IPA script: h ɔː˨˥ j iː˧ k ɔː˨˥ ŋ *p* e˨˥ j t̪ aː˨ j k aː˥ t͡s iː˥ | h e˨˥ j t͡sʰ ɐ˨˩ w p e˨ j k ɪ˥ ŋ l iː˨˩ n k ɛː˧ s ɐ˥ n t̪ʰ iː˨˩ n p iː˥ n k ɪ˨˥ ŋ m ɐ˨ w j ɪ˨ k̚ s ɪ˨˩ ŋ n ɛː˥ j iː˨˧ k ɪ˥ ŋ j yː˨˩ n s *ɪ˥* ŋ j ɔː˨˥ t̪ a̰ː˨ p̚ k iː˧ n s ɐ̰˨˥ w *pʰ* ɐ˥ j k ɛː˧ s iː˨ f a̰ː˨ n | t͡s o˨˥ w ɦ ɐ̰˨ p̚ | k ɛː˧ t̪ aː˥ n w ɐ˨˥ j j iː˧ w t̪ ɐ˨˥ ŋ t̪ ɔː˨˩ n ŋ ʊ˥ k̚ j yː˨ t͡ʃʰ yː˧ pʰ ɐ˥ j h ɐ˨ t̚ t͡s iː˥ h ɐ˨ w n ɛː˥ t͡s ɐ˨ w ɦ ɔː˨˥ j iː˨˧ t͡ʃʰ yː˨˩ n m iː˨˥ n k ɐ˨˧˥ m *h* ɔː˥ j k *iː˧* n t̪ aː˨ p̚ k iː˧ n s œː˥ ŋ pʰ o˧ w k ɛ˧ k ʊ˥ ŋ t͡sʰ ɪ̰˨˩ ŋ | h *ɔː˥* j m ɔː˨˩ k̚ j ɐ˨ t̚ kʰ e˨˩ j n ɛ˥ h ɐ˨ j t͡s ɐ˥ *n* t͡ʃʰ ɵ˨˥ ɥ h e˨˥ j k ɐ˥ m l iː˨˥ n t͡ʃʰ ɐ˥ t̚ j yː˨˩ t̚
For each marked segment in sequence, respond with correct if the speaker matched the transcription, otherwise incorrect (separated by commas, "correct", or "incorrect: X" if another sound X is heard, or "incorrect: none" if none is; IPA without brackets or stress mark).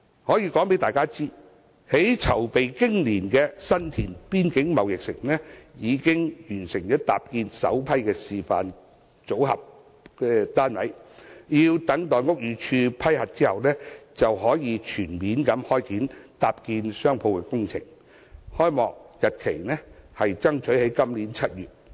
correct, incorrect: ɪ˨˩, correct, correct, incorrect: iː˨˥, correct, incorrect: ŋ